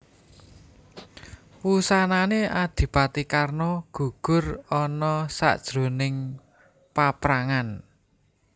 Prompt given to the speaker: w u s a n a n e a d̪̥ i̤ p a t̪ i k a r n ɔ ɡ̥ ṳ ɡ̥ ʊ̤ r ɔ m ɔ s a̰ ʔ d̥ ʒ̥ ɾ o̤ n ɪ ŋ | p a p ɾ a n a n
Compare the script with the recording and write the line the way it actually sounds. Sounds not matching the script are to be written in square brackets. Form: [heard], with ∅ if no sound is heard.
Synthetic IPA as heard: w u s a n a n e a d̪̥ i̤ p a t̪ i k a r n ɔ ɡ̥ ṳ ɡ̥ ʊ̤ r ɔ [n] ɔ s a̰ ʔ d̥ ʒ̥ ɾ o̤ n ɪ ŋ | p a p ɾ a [ŋ] a n